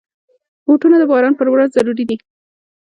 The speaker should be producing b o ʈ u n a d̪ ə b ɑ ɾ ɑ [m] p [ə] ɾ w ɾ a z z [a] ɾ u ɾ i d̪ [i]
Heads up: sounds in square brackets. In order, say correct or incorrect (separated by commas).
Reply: incorrect, correct, correct, correct